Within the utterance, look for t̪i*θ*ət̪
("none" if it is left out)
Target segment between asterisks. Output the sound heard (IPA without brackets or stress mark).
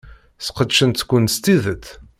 ð